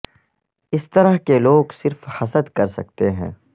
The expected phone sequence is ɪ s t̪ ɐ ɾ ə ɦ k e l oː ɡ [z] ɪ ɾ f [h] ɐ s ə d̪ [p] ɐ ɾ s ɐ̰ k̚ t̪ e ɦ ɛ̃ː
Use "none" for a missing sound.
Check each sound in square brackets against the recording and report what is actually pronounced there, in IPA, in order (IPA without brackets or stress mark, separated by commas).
s, h, k